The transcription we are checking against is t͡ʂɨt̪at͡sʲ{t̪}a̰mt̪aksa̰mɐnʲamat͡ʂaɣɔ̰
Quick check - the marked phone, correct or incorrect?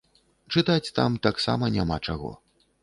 correct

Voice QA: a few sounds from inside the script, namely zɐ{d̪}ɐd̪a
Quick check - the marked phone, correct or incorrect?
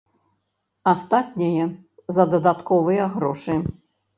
correct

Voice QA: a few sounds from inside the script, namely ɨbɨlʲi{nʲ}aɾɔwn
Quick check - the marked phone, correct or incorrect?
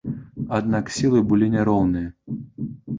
correct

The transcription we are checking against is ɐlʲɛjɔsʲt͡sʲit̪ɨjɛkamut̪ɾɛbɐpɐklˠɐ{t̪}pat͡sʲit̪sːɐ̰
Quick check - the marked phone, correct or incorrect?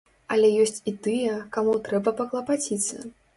incorrect: none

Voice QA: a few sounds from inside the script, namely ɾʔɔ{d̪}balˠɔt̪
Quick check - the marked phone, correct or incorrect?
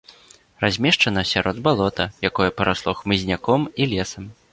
correct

